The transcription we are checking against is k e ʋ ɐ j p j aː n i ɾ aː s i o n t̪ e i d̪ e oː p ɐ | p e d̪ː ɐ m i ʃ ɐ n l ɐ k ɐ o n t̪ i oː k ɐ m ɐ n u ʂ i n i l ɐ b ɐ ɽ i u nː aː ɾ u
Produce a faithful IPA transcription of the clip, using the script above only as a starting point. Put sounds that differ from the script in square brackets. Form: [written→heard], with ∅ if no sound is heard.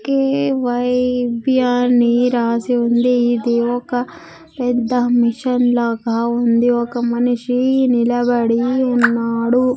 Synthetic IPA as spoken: k e ʋ ɐ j [p→b] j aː n i ɾ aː s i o n [t̪→d̪] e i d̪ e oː [p→k] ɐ | p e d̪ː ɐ m i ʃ ɐ n l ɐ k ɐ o n [t̪→d̪] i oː k ɐ m ɐ n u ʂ i n i l ɐ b ɐ ɽ i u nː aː [ɾ→ɽ] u

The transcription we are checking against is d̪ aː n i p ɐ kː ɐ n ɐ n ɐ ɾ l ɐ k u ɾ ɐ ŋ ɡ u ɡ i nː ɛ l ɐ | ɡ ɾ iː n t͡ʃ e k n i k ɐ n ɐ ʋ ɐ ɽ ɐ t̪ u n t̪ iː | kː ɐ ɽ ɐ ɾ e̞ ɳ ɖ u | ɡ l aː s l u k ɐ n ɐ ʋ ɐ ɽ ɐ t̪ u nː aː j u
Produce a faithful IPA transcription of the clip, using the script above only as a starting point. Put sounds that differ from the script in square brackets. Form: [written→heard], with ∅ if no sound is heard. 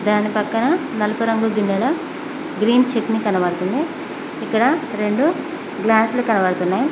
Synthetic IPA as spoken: d̪ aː n i p ɐ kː ɐ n ɐ n ɐ [ɾ→∅] l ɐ [k→p] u ɾ ɐ ŋ ɡ u ɡ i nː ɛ l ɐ | ɡ ɾ iː n t͡ʃ e k n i k ɐ n ɐ ʋ ɐ ɽ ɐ t̪ u n [t̪→d̪] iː | kː ɐ ɽ ɐ ɾ e̞ ɳ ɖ u | ɡ l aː s l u k ɐ n ɐ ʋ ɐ ɽ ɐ t̪ u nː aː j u

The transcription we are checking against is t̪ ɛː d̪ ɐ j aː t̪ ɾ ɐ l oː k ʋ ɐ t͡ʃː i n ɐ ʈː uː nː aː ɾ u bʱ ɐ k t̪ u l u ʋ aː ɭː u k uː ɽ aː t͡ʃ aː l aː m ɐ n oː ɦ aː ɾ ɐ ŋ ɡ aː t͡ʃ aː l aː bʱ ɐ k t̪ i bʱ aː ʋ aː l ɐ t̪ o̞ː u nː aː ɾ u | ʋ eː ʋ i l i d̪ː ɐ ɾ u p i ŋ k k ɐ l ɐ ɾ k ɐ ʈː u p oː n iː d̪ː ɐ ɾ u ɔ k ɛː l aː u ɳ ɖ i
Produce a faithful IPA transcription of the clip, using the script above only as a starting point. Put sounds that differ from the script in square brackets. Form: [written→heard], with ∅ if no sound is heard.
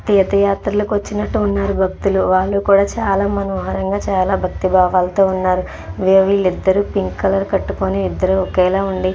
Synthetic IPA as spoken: t̪ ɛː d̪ ɐ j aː t̪ ɾ ɐ l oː k ʋ ɐ t͡ʃː i n ɐ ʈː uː nː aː ɾ u bʱ ɐ k t̪ u l u ʋ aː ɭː u k uː ɽ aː t͡ʃ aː l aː m ɐ n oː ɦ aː ɾ ɐ ŋ ɡ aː t͡ʃ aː l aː bʱ ɐ k t̪ i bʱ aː ʋ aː l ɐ t̪ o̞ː u nː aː ɾ u | ʋ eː ʋ i l i d̪ː ɐ ɾ u p i ŋ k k ɐ l ɐ ɾ k ɐ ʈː u [p→k] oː n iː d̪ː ɐ ɾ u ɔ k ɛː l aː u ɳ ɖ i

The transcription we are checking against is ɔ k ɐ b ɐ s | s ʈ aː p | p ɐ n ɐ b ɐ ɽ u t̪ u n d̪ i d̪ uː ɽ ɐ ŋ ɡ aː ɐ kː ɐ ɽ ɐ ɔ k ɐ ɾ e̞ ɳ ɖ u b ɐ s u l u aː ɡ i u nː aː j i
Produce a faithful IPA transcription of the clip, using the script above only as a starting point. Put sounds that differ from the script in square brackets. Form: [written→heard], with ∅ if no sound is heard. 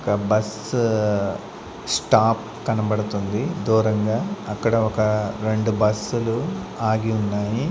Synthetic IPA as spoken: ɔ k ɐ b ɐ s | s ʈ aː p | [p→k] ɐ n ɐ b ɐ ɽ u t̪ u n d̪ i d̪ uː [ɽ→ɾ] ɐ ŋ ɡ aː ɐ kː ɐ ɽ ɐ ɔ k ɐ ɾ e̞ ɳ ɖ u b ɐ s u l u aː ɡ i u nː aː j i

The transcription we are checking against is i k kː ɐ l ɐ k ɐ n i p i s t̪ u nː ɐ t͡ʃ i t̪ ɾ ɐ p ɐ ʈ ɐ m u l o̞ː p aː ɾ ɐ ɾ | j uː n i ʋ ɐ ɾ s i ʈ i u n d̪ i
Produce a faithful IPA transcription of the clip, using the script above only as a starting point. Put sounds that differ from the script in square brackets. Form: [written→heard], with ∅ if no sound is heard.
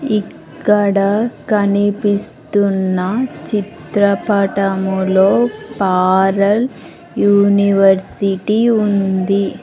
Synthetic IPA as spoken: i k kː ɐ [l→ɽ] ɐ k ɐ n i p i s t̪ u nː ɐ t͡ʃ i t̪ ɾ ɐ p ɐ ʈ ɐ m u l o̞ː p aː ɾ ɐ [ɾ→l] | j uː n i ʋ ɐ ɾ s i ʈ i u n d̪ i

